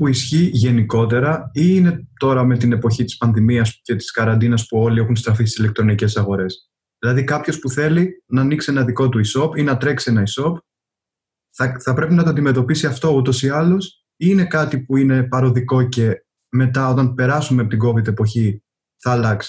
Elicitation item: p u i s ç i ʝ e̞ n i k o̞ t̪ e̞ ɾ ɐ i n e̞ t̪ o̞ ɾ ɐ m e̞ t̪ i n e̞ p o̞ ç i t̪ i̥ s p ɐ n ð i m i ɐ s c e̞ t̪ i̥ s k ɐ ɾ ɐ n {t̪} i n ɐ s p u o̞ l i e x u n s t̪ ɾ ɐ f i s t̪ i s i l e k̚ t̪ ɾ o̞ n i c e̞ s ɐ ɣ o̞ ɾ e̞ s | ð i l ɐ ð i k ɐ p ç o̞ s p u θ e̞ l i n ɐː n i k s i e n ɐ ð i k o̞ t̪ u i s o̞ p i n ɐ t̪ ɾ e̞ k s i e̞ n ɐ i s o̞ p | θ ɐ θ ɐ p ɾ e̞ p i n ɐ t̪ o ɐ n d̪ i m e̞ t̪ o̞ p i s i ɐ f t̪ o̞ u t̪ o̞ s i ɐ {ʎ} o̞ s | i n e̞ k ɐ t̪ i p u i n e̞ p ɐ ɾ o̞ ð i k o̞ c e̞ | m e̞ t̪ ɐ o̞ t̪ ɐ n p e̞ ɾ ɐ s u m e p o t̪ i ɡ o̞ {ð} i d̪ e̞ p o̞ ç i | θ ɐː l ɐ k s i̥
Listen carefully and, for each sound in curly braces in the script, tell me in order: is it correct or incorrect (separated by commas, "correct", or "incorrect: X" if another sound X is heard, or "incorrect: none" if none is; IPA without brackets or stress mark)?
incorrect: d̪, incorrect: l, incorrect: v